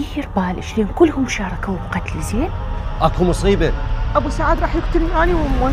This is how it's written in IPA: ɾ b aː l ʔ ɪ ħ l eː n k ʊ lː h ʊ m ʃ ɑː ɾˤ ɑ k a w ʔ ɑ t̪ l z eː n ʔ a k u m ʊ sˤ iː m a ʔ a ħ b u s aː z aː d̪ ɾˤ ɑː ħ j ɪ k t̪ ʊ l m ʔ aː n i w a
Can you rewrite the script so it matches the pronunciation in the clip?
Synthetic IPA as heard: ɾ b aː l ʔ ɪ ʃ l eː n k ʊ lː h ʊ m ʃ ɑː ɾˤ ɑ k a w q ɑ t̪ l z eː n ʔ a k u m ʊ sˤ iː b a ʔ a b u s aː ʕ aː d̪ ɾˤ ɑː ħ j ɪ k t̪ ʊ l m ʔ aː n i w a

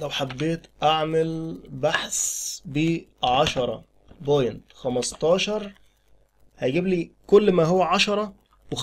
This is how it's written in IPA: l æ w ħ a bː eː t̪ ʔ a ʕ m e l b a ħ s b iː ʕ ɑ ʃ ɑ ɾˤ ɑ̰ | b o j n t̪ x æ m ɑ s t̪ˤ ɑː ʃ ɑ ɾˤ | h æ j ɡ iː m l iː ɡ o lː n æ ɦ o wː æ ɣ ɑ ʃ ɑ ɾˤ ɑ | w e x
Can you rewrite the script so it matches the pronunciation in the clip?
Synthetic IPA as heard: l æ w ħ a bː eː t̪ ʔ a ʕ m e l b a ħ s b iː ʕ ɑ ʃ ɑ ɾˤ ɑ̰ | b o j n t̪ x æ m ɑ s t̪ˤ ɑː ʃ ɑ ɾˤ | h æ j ɡ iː b l iː k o lː m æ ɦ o wː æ ʕ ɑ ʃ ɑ ɾˤ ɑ | w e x

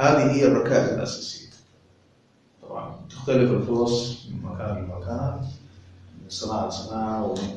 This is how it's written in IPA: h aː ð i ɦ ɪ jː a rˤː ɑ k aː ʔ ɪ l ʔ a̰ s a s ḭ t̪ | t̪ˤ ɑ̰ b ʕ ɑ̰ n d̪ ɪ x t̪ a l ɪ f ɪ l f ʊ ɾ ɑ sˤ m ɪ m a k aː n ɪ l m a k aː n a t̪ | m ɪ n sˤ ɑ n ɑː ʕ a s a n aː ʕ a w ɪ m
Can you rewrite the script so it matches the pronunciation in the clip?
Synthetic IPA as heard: h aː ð i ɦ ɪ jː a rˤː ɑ k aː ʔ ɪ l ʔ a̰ s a s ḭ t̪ | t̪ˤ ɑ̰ b ʕ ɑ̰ n t̪ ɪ x t̪ a l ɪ f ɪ l f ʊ ɾ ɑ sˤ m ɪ m a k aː n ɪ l m a k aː n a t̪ | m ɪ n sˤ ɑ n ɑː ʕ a s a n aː ʕ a w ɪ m

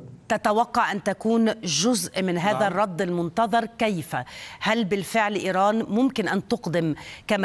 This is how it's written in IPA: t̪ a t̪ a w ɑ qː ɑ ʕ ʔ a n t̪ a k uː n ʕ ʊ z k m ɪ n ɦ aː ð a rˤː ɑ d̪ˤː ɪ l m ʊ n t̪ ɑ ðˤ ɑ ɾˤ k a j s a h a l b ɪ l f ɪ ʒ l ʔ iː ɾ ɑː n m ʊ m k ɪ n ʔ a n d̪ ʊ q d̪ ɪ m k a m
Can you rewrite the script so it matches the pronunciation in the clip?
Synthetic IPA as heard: t̪ a t̪ a w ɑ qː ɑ ʕ ʔ a n t̪ a k uː n ʒ ʊ z ʔ m ɪ n ɦ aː ð a rˤː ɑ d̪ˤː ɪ l m ʊ n t̪ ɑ ðˤ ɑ ɾˤ k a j f a h a l b ɪ l f ɪ ʕ l ʔ iː ɾ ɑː n m ʊ m k ɪ n ʔ a n t̪ ʊ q d̪ ɪ m k a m

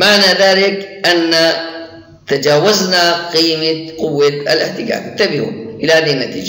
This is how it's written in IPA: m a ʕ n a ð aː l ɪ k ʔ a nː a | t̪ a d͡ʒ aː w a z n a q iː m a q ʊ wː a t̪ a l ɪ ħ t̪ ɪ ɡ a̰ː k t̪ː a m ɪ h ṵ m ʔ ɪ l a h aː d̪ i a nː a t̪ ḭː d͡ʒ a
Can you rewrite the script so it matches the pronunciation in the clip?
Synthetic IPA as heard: m a ʕ n a ð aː l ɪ k ʔ a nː a | t̪ a d͡ʒ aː w a z n a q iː m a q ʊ wː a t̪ a l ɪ ħ t̪ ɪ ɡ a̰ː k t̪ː a b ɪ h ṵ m ʔ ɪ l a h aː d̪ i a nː a t̪ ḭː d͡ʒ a

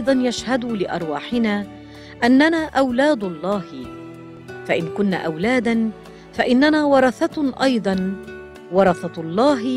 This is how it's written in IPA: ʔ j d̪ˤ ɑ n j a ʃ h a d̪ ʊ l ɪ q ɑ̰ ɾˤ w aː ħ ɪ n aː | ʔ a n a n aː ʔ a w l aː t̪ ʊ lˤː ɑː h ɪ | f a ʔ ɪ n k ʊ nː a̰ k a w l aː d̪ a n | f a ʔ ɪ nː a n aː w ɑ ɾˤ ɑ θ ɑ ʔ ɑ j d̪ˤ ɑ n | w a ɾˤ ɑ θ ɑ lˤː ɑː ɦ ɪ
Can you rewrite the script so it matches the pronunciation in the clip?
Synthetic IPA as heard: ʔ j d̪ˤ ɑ n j a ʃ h a d̪ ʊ l ɪ ʔ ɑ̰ ɾˤ w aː ħ ɪ n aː | ʔ a nː a n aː ʔ a w l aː d̪ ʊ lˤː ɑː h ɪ | f a ʔ ɪ n k ʊ nː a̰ ʔ a w l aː d̪ a n | f a ʔ ɪ nː a n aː w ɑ ɾˤ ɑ θ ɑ ʔ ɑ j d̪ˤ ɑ n | w ɑ ɾˤ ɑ θ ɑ lˤː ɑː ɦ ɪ

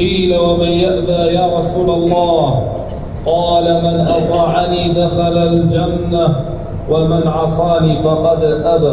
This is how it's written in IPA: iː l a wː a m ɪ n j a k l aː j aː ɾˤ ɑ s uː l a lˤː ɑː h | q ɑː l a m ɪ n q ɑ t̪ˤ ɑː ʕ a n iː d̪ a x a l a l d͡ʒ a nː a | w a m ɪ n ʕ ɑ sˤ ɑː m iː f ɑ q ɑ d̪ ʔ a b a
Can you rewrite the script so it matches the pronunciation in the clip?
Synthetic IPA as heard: iː l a w a m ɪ n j a ʔ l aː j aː ɾˤ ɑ s uː l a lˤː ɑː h | q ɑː l a m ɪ n ʔ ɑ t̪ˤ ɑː ʕ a n iː d̪ a x a l a l d͡ʒ a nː a | w a m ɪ n ʕ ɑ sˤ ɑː n iː f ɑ q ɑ d̪ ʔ a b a

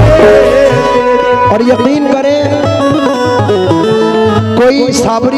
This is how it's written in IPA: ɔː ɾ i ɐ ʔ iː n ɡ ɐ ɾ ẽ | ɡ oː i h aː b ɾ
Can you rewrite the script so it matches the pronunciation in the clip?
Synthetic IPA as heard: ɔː ɾ j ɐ q iː n k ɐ ɾ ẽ | k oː i s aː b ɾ

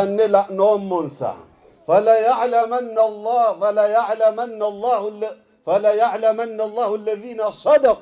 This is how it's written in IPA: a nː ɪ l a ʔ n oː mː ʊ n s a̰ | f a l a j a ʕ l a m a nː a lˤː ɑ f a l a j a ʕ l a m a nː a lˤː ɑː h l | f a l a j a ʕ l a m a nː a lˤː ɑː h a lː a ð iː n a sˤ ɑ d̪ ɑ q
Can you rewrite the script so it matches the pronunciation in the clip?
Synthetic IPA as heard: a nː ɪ l a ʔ n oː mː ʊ n s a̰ | f a l a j a ʕ l a m a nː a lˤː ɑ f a l a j a ʕ l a m a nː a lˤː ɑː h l | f a l a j a ʕ l a m a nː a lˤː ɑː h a lː a ð iː n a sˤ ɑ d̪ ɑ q

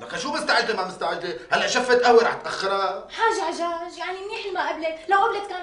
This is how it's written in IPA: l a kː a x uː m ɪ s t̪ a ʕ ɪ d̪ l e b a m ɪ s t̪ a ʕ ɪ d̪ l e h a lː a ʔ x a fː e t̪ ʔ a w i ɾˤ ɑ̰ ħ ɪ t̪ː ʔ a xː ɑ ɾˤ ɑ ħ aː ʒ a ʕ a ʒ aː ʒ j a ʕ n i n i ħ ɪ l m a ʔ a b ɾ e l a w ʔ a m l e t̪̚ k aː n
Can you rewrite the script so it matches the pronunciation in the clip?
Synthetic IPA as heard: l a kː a ʃ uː m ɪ s t̪ a ʕ ɪ d̪ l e m a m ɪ s t̪ a ʕ ɪ d̪ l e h a lː a ʔ ʃ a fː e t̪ ʔ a w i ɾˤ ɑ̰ ħ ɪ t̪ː ʔ a xː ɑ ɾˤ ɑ ħ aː ʒ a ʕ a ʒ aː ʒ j a ʕ n i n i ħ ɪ l m a ʔ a b l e l a w ʔ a b l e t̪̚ k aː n

